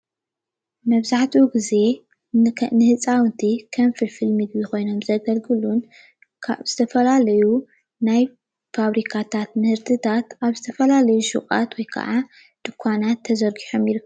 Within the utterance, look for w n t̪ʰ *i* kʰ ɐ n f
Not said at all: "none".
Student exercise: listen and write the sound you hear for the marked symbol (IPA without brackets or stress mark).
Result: i